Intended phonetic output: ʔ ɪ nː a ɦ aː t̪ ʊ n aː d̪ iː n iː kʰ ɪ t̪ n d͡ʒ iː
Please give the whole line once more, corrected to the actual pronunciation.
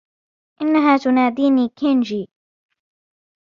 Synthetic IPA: ʔ ɪ nː a ɦ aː t̪ ʊ n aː d̪ iː n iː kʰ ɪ n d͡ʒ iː